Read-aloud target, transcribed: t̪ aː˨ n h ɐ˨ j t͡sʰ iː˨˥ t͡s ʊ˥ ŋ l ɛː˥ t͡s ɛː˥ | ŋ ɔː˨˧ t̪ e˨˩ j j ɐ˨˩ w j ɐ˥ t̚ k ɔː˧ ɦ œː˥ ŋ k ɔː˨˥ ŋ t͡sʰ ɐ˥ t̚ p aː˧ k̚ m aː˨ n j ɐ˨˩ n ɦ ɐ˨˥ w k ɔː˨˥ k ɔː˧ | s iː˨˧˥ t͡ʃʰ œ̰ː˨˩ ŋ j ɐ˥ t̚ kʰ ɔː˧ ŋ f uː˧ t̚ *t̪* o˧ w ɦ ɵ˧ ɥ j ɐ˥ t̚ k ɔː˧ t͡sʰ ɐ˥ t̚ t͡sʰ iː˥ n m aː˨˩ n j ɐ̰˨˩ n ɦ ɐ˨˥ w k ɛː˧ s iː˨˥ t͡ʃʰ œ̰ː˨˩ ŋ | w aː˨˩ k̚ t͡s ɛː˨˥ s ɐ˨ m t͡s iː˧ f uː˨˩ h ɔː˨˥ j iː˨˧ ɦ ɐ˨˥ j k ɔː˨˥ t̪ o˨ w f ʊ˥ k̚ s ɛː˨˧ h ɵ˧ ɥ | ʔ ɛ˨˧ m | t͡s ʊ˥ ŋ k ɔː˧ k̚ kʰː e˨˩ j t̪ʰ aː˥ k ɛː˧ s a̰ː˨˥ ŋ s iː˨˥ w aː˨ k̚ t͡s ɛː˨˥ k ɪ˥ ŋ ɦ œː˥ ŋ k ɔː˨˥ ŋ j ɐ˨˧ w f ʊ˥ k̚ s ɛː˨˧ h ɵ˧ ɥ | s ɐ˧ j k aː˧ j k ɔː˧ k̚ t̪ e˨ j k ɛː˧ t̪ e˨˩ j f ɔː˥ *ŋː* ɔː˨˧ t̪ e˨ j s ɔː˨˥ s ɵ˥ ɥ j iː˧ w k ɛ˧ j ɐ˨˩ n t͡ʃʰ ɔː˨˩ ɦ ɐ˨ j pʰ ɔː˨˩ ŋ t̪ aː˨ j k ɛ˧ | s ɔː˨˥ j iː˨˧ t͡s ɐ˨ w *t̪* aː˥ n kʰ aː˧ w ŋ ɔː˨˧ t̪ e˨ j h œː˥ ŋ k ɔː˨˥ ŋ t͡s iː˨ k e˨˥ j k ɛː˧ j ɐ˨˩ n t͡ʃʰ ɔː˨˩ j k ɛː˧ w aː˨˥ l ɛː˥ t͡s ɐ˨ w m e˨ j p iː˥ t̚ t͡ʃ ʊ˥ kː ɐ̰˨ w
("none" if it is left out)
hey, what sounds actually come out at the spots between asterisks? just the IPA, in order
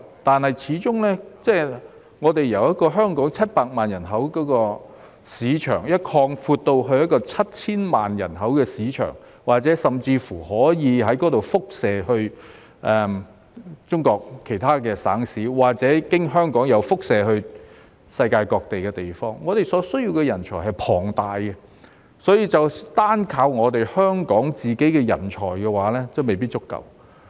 t̪, ŋː, t̪

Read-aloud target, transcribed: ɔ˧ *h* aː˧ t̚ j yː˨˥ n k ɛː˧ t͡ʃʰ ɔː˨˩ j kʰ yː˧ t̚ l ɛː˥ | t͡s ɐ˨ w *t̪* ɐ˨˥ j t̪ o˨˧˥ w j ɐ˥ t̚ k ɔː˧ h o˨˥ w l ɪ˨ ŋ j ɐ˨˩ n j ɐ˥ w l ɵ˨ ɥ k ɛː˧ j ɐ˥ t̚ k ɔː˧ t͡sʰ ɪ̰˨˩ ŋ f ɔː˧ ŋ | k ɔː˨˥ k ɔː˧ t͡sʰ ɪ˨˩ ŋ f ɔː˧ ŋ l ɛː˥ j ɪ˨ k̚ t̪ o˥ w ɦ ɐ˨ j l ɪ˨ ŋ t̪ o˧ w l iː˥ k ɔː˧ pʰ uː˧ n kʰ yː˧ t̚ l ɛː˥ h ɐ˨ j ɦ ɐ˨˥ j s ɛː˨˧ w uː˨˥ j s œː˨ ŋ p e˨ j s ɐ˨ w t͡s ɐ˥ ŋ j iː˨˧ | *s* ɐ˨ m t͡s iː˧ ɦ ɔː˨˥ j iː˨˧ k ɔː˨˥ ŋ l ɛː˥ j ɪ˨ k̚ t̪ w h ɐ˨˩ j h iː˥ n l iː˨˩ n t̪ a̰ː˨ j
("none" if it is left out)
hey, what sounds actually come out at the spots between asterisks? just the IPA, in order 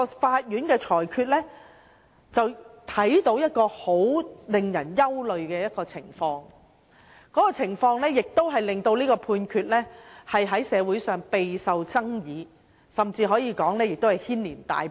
f, t̪ʰ, s

